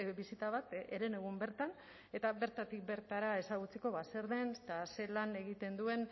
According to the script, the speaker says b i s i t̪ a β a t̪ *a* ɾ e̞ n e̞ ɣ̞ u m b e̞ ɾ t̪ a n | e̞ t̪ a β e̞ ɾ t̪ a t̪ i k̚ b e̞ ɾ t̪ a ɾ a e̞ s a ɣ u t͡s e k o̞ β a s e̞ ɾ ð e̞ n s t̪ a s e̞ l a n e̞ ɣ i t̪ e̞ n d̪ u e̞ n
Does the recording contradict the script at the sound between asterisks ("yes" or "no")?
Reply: yes